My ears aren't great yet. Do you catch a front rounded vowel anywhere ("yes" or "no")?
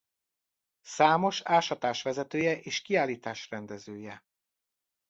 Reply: yes